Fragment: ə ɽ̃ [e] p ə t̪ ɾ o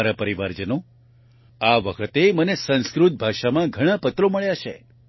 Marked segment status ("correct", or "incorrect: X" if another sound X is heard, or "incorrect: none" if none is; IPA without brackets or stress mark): incorrect: a